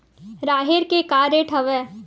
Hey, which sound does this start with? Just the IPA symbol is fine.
ɾ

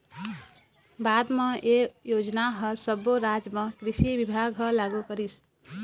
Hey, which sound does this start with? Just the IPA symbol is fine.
b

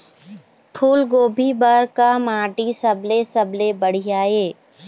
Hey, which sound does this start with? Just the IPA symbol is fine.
pʰ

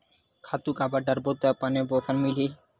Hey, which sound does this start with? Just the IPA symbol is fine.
kʰ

